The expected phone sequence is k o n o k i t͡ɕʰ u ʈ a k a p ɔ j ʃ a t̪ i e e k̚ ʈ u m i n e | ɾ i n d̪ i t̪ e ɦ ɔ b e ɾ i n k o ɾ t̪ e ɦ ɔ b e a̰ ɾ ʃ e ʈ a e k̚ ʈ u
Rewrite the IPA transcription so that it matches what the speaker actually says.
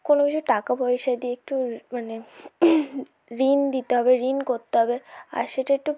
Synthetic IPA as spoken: k o n o k i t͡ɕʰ u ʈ a k a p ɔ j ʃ a d̪ i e e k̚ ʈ u m a n e | ɾ i n d̪ i t̪ e ɦ ɔ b e ɾ i n k o ɾ t̪ e ɦ ɔ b e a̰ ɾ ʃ e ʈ a e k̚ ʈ u